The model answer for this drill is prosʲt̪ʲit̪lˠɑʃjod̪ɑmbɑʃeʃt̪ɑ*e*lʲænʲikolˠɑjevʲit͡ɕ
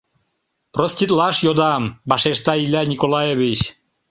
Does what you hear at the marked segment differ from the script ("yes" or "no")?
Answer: yes